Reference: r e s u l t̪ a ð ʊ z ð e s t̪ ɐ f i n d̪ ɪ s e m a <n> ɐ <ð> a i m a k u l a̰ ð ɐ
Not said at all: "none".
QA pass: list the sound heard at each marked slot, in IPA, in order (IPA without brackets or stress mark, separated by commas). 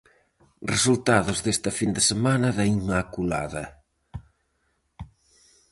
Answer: n, ð